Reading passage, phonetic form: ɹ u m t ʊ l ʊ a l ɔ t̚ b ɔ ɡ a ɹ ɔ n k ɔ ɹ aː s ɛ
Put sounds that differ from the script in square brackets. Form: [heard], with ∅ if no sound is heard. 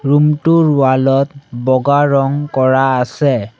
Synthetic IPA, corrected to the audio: ɹ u m t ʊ [ɹ] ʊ a l ɔ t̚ b ɔ ɡ a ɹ ɔ [ŋ] k ɔ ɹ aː s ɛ